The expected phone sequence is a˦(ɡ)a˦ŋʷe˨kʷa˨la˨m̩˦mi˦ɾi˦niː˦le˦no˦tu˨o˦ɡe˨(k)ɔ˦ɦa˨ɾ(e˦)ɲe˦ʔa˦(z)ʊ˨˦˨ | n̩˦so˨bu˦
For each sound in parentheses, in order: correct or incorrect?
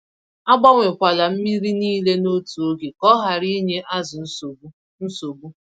incorrect, correct, incorrect, correct

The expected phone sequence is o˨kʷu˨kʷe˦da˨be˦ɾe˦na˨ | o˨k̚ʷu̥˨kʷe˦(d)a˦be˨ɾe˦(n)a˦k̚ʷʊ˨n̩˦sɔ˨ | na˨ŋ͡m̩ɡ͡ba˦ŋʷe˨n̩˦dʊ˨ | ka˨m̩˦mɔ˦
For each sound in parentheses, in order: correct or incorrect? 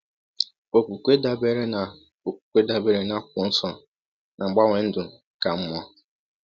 correct, correct

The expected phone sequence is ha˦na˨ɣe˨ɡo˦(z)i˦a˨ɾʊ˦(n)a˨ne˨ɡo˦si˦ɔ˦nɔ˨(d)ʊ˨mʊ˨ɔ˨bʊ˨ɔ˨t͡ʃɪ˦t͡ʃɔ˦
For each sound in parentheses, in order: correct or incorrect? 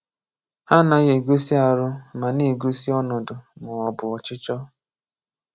incorrect, incorrect, correct

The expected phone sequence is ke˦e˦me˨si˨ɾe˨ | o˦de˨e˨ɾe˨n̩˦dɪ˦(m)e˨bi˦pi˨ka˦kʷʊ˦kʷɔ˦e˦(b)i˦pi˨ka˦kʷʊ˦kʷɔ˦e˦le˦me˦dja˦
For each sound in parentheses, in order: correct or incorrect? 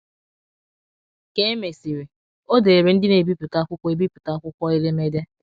incorrect, correct

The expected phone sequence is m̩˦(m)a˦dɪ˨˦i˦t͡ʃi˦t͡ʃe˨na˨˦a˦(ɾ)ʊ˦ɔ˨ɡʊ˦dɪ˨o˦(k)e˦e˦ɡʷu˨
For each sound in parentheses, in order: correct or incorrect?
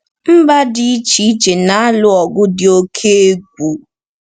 incorrect, incorrect, incorrect

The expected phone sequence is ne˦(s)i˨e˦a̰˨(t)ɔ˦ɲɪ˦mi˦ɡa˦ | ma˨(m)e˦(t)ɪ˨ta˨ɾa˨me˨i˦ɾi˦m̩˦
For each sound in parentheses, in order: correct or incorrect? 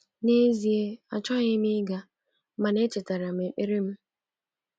incorrect, incorrect, incorrect, incorrect

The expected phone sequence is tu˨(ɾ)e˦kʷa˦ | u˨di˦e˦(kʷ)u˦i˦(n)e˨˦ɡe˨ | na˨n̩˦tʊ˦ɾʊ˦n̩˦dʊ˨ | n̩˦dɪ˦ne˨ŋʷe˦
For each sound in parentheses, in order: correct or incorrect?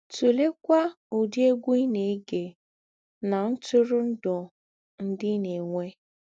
incorrect, incorrect, correct

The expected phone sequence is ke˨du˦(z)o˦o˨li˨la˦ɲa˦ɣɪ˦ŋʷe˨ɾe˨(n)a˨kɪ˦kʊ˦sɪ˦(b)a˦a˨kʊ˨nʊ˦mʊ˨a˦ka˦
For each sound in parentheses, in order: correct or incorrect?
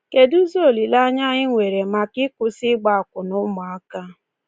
correct, incorrect, incorrect

